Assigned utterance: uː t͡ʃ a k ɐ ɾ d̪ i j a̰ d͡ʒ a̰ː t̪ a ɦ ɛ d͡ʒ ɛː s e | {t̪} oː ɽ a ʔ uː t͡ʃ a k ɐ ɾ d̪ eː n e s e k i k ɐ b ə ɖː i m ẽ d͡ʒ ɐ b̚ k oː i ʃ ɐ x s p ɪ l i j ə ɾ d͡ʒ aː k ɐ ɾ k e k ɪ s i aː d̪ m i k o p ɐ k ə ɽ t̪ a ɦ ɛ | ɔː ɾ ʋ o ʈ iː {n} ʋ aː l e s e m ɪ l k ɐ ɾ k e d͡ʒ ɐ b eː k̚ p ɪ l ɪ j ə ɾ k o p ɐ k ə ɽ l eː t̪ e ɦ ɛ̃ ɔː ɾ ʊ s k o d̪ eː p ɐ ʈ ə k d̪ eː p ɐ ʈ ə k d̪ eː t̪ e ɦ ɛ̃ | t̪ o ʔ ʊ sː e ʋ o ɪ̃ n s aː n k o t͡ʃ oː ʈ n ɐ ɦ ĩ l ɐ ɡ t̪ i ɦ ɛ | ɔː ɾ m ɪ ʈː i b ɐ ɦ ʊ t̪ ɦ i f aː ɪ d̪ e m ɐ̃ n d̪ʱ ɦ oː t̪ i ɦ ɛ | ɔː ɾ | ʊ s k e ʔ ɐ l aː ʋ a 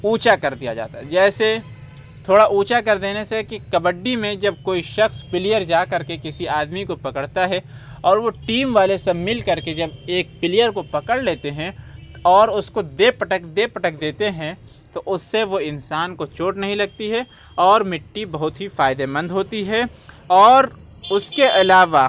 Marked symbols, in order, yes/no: no, no

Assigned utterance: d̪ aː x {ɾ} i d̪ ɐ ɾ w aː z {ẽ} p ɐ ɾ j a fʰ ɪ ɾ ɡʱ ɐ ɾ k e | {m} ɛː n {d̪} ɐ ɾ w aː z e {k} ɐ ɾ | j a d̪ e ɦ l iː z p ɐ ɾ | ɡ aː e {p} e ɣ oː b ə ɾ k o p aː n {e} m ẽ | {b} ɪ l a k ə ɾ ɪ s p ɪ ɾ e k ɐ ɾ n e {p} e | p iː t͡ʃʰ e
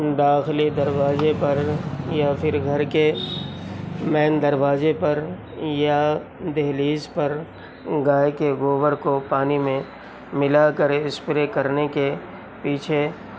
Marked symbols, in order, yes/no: no, no, yes, yes, no, no, no, no, no

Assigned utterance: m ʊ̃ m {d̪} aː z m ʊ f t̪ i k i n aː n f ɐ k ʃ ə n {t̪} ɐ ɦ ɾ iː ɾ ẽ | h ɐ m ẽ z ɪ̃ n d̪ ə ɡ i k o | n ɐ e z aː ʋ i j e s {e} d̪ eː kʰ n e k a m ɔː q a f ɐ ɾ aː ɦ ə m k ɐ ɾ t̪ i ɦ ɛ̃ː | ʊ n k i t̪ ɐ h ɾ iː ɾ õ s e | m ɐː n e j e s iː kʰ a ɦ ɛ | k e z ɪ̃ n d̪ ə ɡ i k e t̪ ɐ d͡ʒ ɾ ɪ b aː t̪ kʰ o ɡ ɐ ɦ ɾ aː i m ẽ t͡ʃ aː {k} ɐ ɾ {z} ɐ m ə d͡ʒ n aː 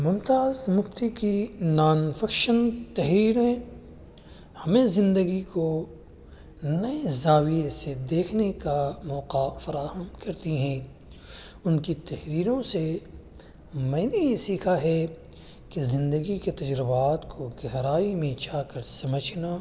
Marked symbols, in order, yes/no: no, yes, yes, yes, no

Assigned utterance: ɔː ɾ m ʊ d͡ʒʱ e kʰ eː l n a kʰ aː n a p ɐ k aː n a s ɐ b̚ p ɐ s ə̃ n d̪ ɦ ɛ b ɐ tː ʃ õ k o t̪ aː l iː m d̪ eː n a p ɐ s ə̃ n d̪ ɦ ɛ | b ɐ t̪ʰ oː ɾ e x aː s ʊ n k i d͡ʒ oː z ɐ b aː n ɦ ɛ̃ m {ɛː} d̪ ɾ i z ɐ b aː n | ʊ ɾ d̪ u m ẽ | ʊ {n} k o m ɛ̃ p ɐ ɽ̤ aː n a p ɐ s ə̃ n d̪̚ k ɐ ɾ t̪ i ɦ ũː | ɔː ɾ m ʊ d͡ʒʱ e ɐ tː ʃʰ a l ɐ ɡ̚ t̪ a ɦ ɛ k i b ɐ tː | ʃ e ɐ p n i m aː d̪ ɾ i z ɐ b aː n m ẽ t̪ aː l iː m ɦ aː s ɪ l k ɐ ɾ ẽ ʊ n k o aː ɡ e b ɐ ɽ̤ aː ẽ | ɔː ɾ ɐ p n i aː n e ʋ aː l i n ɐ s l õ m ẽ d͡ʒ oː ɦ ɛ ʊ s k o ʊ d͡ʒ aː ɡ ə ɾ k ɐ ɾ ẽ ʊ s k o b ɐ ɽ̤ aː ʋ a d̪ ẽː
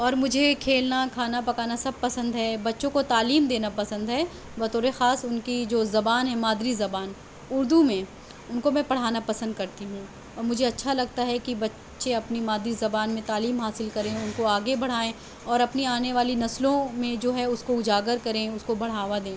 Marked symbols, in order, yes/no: no, yes

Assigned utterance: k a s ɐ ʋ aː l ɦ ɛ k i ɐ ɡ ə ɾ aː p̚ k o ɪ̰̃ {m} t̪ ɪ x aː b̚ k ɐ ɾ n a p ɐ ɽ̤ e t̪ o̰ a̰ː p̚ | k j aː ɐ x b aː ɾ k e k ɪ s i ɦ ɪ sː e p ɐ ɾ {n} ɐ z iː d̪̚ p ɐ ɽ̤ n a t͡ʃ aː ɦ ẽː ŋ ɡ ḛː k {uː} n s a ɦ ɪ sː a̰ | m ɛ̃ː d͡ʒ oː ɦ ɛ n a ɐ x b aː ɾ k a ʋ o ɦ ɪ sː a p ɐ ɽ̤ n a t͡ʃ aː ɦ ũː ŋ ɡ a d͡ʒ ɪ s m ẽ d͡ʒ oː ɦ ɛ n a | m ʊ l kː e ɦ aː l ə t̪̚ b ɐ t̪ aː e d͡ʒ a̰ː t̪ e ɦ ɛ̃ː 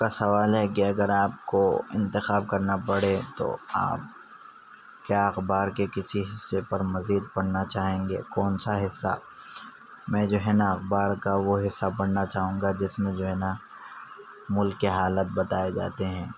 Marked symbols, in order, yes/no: no, no, no

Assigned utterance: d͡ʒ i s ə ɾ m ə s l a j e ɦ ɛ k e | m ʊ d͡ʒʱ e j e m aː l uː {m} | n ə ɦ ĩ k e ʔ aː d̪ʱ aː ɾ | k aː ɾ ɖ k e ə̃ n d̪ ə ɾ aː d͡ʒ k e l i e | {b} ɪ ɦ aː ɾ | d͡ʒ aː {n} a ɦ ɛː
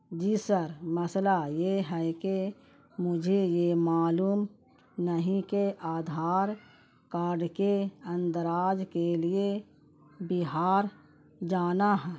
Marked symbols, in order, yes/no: yes, yes, yes

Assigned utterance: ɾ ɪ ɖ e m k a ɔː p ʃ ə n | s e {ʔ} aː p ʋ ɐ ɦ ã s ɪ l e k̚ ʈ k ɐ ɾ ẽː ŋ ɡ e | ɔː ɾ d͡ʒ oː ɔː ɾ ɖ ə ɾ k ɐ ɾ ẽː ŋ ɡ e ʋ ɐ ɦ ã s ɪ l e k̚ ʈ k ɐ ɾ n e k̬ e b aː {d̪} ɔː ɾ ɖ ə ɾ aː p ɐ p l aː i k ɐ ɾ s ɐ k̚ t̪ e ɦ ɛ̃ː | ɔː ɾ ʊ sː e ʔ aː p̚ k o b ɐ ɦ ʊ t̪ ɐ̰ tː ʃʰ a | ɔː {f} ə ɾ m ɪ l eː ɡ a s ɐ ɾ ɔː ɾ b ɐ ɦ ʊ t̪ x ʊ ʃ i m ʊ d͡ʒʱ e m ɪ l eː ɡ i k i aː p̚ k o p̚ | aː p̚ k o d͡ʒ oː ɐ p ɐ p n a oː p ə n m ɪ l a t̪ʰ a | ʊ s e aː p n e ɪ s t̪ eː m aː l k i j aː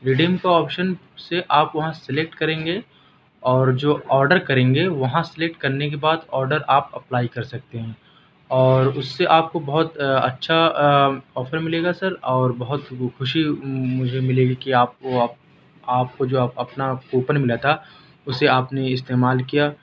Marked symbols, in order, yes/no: yes, yes, yes

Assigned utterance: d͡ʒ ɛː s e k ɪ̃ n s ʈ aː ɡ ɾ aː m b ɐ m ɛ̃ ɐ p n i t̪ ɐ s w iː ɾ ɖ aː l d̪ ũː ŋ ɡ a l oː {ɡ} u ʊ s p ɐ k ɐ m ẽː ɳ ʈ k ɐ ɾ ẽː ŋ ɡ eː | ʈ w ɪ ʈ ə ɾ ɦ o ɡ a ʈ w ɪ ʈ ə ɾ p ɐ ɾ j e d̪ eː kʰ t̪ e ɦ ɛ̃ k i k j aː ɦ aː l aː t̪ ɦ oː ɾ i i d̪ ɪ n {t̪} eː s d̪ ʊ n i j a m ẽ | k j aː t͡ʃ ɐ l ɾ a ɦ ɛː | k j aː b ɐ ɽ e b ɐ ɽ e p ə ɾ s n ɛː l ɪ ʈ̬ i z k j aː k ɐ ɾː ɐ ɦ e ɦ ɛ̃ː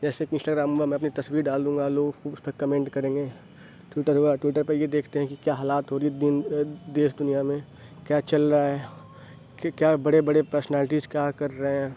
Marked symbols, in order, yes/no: yes, no

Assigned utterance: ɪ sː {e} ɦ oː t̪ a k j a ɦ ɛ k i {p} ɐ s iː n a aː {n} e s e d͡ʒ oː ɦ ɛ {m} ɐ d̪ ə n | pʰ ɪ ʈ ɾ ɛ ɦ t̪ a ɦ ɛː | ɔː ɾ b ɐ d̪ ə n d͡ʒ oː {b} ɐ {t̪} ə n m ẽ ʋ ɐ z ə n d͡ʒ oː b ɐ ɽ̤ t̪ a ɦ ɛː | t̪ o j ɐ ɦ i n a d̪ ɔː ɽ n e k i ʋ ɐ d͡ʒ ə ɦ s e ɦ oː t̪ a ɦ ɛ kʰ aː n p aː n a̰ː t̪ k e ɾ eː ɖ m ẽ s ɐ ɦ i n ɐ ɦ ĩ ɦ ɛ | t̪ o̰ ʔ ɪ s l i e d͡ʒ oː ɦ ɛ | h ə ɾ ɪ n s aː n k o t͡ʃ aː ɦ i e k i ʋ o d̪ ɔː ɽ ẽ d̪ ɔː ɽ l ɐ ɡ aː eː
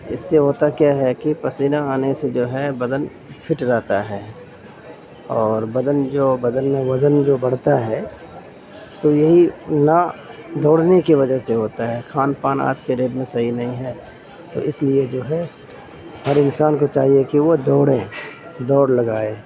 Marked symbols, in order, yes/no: yes, yes, yes, no, yes, no

